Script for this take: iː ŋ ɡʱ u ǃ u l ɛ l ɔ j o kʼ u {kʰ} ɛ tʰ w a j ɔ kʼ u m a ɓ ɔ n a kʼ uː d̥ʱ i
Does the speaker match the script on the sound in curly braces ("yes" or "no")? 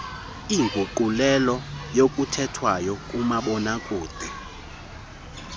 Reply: no